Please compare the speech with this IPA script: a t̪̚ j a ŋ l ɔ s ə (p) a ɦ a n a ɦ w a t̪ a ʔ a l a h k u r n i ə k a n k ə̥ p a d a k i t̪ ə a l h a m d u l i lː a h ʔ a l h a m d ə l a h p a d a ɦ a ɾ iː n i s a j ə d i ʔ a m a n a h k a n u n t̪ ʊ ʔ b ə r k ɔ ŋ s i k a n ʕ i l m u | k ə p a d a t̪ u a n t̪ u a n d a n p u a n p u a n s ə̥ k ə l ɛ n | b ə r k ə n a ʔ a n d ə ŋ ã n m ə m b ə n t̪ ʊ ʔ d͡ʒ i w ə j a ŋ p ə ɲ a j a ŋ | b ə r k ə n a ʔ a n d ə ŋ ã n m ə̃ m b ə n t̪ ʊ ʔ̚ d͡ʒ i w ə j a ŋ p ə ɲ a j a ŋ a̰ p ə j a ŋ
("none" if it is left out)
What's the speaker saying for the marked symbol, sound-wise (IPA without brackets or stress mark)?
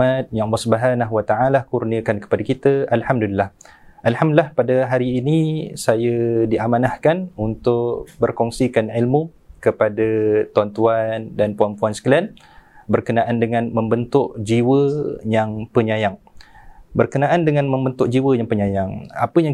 b